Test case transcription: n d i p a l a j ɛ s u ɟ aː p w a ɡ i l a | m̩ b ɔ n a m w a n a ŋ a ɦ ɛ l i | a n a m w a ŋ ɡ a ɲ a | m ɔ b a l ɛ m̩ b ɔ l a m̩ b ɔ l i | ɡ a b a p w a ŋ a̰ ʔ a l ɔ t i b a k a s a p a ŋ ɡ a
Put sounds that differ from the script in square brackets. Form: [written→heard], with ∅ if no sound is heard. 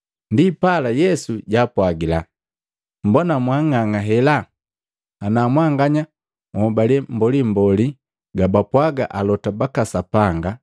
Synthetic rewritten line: n d i p a l a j ɛ s u ɟ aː p w a ɡ i l a | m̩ b ɔ n a m w a [n→ŋ] a ŋ a ɦ ɛ l [i→a] | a n a m w a ŋ ɡ a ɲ a | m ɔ b a l ɛ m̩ b ɔ l [a→i] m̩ b ɔ l i | ɡ a b a p w a [ŋ→ɡ] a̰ ʔ a l ɔ t [i→a] b a k a s a p a ŋ ɡ a